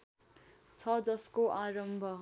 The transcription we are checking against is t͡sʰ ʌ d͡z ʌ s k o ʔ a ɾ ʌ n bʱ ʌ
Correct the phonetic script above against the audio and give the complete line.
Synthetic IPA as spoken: t͡sʰ ʌ d͡z ʌ s k o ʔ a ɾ ʌ m bʱ ʌ